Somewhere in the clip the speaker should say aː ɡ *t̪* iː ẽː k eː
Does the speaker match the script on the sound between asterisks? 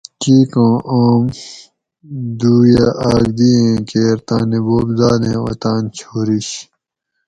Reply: no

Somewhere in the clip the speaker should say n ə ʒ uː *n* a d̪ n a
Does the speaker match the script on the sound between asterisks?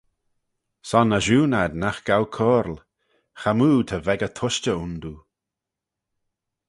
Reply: yes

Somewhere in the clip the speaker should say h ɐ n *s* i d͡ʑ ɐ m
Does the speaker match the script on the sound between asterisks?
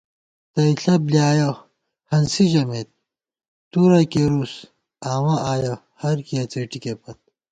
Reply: yes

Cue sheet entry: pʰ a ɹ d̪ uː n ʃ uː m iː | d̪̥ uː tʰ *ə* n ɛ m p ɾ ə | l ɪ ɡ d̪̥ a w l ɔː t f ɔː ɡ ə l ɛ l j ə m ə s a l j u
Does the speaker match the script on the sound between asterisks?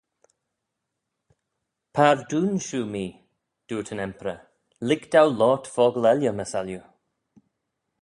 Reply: yes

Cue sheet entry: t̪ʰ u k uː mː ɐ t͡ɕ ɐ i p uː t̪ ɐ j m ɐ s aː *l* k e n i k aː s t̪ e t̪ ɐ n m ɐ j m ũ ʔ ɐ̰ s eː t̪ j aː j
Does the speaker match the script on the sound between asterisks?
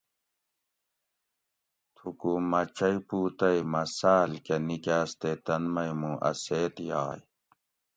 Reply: yes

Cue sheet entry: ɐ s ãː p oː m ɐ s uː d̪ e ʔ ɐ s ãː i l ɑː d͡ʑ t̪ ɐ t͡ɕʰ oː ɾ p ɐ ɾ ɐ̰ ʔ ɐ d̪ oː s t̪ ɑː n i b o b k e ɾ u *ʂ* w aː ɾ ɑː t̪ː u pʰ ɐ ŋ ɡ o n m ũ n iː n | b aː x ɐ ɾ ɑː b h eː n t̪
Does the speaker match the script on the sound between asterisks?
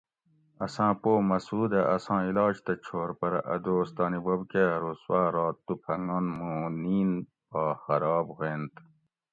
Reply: no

